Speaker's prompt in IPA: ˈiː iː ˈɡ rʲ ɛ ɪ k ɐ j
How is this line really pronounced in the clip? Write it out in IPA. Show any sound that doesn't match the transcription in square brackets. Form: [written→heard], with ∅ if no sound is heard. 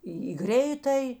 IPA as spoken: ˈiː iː ˈɡ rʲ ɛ ɪ [k→t] ɐ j